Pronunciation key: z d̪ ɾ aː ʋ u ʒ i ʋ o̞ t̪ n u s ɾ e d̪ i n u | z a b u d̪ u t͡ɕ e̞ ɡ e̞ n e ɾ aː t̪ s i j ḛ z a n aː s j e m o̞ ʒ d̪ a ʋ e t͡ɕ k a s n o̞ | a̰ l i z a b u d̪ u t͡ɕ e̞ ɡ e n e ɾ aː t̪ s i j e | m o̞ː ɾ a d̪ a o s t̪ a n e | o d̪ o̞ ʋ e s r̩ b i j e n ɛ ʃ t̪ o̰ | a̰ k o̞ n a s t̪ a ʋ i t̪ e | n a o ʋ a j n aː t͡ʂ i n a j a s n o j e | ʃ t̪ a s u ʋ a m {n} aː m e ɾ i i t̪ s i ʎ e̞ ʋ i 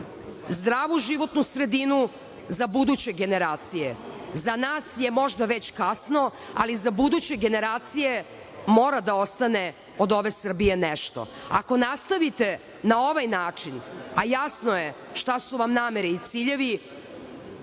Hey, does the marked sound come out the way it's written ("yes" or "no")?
yes